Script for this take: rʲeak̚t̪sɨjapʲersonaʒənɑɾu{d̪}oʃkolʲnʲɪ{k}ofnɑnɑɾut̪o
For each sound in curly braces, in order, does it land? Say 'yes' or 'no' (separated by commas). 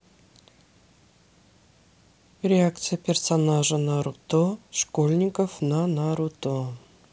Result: no, yes